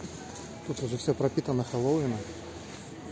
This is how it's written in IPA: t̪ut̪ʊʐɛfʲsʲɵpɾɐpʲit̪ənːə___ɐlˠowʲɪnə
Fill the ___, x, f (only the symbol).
x